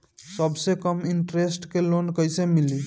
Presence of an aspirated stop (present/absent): absent